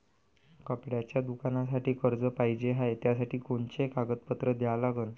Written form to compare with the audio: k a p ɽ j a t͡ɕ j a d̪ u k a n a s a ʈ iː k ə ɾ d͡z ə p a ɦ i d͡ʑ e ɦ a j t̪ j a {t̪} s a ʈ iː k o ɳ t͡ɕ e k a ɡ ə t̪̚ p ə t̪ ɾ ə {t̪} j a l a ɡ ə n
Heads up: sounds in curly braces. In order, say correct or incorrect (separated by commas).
incorrect, incorrect